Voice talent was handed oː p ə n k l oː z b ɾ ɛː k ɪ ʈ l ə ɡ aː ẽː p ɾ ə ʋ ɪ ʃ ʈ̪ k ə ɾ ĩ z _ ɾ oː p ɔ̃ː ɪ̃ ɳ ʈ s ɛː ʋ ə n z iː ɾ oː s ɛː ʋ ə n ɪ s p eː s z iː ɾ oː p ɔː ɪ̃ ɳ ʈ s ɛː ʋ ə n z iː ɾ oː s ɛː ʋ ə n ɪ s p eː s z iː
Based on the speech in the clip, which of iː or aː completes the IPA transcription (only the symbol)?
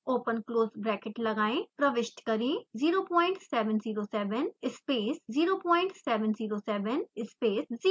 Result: iː